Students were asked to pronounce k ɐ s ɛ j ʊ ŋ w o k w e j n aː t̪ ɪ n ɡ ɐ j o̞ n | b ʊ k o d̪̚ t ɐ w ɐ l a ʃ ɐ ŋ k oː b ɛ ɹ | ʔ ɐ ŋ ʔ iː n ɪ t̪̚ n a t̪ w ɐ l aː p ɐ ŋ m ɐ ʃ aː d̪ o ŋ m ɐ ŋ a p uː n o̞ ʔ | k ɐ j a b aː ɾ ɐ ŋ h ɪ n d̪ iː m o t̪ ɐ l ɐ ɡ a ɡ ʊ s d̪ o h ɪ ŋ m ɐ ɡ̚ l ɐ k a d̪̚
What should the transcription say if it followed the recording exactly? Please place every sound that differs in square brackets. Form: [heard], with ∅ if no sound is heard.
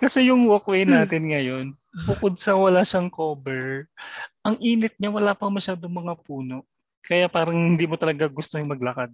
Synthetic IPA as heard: k ɐ s ɛ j ʊ ŋ w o k w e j n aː t̪ ɪ n [ŋ] ɐ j o̞ n | b ʊ k o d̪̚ [s] ɐ w ɐ l a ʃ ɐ ŋ k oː b ɛ ɹ | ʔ ɐ ŋ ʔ iː n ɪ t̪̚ [ɲ] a [∅] w ɐ l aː p ɐ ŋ m ɐ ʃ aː d̪ o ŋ m ɐ ŋ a p uː n o̞ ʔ | k ɐ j a [p] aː ɾ ɐ ŋ h ɪ n d̪ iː m o t̪ ɐ l ɐ ɡ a ɡ ʊ s [t̪] o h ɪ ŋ m ɐ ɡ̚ l ɐ k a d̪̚